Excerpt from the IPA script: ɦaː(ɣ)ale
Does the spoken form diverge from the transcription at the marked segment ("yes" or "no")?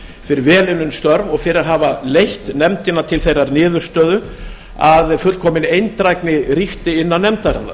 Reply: yes